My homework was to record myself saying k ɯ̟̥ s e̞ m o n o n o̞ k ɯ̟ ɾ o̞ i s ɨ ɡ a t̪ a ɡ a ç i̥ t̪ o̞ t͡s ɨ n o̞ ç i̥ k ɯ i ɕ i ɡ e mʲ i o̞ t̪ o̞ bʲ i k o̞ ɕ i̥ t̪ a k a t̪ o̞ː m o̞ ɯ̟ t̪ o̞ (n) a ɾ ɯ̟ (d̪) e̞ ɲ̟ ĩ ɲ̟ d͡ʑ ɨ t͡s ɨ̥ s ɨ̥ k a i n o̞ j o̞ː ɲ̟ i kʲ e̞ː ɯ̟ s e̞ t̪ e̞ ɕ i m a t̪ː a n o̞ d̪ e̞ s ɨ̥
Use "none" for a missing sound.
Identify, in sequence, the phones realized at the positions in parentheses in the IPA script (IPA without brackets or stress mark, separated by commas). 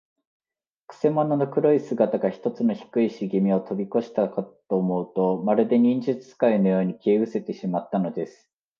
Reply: m, d̪